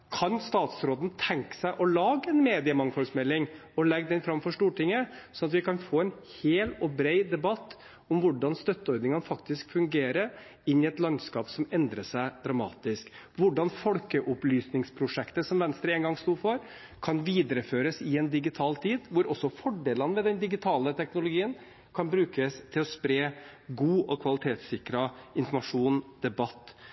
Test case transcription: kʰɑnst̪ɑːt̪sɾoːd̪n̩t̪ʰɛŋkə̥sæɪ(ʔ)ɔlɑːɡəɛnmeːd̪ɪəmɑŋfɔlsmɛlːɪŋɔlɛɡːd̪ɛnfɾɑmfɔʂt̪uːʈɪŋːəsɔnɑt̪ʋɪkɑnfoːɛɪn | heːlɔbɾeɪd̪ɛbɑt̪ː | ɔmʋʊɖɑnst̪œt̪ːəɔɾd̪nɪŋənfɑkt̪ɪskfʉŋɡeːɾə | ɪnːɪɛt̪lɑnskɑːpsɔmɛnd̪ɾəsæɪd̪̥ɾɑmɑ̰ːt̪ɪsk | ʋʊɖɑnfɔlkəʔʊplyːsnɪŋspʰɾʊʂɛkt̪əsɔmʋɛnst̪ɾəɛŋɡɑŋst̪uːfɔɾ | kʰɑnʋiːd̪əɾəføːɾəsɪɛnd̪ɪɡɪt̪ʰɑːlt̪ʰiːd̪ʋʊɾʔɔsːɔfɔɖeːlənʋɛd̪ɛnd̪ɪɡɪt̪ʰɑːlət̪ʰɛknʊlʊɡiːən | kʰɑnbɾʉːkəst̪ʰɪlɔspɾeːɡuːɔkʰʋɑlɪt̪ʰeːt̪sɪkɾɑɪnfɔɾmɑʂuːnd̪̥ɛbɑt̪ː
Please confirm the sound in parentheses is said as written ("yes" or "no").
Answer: yes